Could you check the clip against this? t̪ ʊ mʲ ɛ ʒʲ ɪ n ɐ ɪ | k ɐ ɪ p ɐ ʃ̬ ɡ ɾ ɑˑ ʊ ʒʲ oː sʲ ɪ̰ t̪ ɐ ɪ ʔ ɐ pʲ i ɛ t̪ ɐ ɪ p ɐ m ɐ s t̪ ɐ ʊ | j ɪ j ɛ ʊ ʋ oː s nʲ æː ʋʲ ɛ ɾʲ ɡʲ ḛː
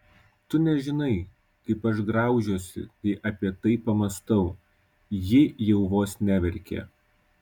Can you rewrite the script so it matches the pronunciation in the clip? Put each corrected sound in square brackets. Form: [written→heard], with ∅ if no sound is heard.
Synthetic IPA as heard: t̪ ʊ [mʲ→nʲ] ɛ ʒʲ ɪ n ɐ ɪ | k ɐ ɪ p ɐ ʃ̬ ɡ ɾ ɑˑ ʊ ʒʲ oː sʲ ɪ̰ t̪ ɐ ɪ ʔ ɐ pʲ i ɛ t̪ ɐ ɪ p ɐ m ɐ s t̪ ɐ ʊ | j ɪ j ɛ ʊ ʋ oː s nʲ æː ʋʲ ɛ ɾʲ [ɡʲ→kʲ] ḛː